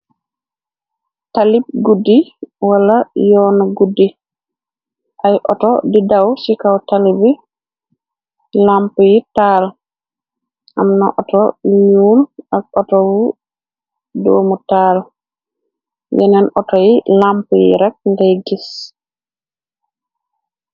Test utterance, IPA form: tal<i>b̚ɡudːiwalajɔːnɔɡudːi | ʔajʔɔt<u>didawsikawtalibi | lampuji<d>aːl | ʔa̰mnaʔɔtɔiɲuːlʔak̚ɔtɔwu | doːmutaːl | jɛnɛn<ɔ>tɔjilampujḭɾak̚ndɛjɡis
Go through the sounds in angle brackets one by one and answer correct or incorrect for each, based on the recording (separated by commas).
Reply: correct, incorrect, incorrect, correct